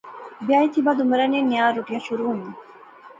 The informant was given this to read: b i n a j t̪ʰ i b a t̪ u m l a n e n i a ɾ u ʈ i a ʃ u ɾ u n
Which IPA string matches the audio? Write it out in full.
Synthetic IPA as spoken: b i a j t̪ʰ i b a d̪ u m ɾ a n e n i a ɾ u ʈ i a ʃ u ɾ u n

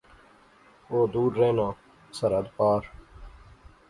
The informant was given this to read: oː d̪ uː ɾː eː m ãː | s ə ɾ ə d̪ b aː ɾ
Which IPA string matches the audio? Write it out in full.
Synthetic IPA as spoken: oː d̪ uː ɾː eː n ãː | s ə ɾ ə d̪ p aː ɾ

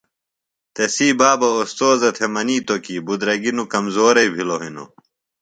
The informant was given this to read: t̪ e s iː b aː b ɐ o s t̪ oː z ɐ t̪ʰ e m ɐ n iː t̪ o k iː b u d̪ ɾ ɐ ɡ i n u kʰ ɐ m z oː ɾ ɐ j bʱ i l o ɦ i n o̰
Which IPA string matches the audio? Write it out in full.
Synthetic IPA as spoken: t̪ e s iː b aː b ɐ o s t̪ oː z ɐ t̪ʰ e m ɐ n iː t̪ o k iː b u d̪ ɾ ɐ ɡ i n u k ɐ m z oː ɾ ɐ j bʱ i l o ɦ i n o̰

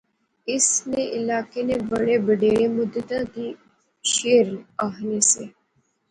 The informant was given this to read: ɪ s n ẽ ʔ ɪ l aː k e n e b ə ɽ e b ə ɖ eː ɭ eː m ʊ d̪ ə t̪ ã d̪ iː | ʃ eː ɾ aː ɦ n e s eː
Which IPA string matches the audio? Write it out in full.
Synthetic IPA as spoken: ɪ s n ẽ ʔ ɪ l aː k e n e b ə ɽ e b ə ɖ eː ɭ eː m ʊ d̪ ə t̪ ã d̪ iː | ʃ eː ɾ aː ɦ n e s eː

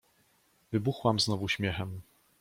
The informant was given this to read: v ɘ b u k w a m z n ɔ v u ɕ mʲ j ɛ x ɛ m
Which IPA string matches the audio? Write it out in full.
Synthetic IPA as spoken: v ɘ b u x w a m z n ɔ v u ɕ mʲ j ɛ x ɛ m

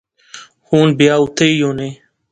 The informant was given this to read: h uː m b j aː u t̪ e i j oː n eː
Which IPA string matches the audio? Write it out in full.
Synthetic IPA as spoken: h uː n b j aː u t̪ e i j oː n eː

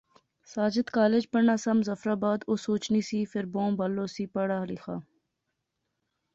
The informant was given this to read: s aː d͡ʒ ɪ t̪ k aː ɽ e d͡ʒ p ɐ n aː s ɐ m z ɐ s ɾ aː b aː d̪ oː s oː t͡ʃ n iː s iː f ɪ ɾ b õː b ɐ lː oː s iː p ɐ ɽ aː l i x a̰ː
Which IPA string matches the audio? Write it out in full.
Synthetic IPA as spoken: s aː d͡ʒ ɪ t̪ k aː l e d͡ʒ p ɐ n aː s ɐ m z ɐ f ɾ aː b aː d̪ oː s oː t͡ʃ n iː s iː f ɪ ɾ b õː b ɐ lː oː s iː p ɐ ɽ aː l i x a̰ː

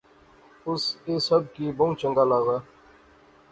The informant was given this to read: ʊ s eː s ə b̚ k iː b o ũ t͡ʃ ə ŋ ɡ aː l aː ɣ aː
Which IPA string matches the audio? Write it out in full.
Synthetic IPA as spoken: ʊ s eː s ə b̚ k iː b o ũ t͡ʃ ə ŋ ɡ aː l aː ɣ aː

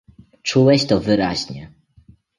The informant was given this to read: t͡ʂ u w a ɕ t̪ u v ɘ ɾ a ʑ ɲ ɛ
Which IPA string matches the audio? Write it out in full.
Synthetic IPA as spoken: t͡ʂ u w ɛ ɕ t̪ ɔ v ɘ ɾ a ʑ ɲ ɛ

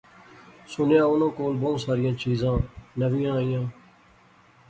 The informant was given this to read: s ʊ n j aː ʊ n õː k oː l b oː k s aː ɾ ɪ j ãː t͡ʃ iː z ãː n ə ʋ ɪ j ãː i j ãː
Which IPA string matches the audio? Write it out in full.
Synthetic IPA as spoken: s ʊ n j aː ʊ n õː k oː l b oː s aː ɾ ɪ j ãː t͡ʃ iː z ãː n ə ʋ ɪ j ãː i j ãː

